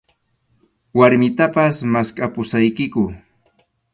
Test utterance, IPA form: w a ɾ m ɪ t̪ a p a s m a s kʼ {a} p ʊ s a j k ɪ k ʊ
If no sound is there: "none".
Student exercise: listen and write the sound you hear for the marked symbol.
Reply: a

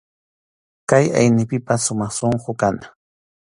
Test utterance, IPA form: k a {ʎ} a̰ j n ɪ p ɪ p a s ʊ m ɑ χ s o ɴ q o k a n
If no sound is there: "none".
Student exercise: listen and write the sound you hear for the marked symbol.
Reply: j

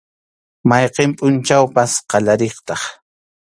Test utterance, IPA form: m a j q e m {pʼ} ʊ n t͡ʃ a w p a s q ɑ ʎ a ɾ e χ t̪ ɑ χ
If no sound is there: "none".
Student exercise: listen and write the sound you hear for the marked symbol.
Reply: pʼ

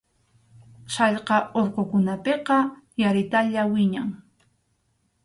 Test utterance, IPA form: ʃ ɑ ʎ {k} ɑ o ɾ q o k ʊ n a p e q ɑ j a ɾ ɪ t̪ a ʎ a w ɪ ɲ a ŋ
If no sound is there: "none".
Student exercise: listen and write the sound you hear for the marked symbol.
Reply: q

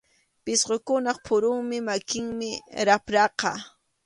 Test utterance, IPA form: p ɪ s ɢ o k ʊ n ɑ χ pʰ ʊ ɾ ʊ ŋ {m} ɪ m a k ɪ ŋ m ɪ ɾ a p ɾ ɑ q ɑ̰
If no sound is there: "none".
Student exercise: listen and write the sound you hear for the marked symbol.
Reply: m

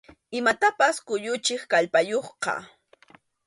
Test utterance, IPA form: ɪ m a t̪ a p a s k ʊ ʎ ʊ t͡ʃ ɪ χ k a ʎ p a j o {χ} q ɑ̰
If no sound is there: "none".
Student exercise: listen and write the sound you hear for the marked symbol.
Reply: χ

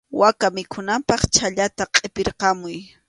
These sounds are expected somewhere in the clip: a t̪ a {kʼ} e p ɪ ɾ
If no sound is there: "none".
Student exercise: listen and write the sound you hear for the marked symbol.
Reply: qʼ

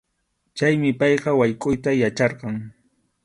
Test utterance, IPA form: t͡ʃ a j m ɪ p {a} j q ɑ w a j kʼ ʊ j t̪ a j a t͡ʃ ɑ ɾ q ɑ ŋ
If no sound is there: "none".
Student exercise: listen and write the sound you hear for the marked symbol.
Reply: ɑ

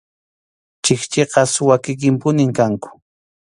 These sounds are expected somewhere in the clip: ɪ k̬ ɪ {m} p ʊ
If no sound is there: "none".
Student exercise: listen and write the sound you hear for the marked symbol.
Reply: m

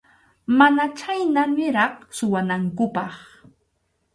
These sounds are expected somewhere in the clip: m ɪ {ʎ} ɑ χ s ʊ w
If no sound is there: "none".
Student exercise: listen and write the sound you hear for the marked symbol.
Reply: ɾ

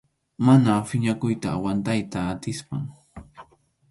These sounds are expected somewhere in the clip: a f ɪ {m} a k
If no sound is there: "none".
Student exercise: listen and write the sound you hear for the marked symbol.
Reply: ɲ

